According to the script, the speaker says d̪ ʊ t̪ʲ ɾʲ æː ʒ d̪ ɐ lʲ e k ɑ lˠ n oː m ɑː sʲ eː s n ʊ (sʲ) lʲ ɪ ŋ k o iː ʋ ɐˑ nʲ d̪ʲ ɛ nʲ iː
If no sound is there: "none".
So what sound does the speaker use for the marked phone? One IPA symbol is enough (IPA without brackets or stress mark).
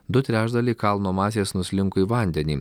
sʲ